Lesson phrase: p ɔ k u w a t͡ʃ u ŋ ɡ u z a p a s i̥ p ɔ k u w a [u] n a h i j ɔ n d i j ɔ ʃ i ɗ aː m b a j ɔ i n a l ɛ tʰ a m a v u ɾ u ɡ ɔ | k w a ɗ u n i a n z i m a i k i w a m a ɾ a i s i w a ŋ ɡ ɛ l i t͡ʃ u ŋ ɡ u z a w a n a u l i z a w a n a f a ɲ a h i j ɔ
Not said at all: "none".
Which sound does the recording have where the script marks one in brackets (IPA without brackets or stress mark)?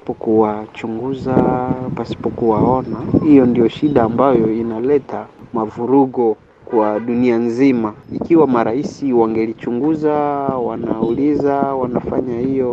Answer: ɔ